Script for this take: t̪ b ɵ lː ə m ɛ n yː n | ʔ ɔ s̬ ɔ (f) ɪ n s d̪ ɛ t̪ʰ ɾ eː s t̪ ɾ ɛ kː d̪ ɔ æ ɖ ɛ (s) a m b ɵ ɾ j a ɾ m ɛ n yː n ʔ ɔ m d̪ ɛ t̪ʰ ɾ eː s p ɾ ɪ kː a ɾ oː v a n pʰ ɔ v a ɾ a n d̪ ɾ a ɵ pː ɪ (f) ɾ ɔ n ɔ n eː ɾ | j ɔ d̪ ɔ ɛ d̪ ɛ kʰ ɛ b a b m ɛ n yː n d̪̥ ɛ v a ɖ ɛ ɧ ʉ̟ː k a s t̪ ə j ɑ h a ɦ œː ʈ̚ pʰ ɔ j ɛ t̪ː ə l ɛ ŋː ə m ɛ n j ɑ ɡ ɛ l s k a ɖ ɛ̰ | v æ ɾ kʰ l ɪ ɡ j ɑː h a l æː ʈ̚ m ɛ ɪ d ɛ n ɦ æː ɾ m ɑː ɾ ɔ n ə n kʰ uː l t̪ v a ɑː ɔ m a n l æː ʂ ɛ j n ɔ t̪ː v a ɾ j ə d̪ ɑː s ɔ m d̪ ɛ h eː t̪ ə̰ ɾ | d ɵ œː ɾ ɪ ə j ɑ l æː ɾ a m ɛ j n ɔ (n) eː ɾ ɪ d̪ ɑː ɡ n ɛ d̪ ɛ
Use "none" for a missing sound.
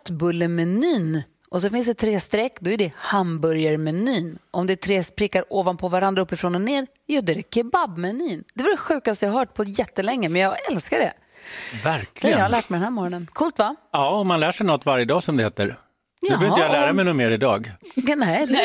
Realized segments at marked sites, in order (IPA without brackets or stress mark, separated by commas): f, h, f, m